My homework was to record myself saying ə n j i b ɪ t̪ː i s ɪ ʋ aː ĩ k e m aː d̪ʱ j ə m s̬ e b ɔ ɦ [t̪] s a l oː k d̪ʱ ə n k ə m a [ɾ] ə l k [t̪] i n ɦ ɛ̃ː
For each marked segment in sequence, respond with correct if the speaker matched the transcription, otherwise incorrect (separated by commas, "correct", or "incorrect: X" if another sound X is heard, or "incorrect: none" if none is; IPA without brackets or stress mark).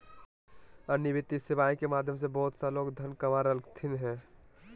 correct, correct, incorrect: t̪ʰ